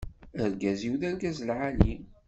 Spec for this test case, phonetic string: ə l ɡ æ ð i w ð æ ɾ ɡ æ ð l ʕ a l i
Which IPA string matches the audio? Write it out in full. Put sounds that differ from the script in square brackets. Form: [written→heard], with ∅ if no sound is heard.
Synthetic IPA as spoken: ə [l→ɾ] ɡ æ [ð→z] i w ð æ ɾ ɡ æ [ð→z] l ʕ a l i